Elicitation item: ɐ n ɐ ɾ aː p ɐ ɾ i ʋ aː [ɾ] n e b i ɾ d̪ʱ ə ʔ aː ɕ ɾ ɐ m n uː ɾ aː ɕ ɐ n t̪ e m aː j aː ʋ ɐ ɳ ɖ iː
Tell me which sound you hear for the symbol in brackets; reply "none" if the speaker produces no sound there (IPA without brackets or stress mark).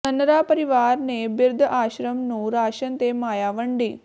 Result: ɾ